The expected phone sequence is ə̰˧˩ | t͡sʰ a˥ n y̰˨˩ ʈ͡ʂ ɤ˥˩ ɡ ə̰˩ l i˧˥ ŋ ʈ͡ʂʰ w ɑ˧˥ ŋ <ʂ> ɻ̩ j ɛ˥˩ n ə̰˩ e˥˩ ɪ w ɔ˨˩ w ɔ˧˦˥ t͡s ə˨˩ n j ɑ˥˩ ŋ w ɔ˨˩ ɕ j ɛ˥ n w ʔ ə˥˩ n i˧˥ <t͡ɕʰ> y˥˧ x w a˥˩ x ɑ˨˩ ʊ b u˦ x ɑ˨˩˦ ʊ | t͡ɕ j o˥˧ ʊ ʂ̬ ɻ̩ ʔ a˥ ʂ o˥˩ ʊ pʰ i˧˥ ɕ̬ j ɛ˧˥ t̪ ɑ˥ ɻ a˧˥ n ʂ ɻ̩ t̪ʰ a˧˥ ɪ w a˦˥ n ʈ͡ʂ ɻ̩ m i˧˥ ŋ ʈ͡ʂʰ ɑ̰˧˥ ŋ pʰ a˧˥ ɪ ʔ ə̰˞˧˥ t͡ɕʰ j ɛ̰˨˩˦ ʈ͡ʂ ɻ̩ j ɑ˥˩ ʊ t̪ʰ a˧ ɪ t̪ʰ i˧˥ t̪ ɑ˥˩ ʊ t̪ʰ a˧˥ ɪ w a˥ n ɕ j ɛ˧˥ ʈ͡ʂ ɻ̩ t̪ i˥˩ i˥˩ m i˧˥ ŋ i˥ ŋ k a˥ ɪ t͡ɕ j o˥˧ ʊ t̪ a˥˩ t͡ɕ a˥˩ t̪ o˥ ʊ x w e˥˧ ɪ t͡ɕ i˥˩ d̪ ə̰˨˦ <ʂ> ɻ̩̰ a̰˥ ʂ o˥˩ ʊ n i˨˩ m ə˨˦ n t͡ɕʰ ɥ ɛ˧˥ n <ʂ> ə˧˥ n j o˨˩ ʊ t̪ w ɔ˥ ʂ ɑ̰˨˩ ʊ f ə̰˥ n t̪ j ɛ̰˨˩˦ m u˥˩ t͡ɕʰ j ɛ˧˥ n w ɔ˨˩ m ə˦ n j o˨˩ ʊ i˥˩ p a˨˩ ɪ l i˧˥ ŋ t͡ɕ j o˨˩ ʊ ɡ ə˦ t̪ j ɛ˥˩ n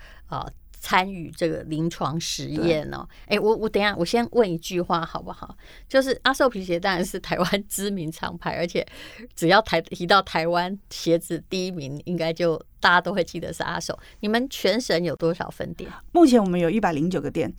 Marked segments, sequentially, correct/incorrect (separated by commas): correct, incorrect, correct, correct